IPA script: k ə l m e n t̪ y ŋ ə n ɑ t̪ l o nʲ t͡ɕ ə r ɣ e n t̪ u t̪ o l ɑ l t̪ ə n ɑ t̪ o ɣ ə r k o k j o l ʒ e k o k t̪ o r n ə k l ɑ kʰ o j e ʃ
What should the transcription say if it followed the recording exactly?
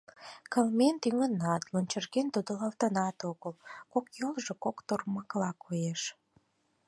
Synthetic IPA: k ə l m e n t̪ y ŋ ə n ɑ t̪ l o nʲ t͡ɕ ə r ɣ e n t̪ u d̪ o l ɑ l t̪ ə n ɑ t̪ o ɣ ə l k o k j o l ʒ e k o k t̪ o r m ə k l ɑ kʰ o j e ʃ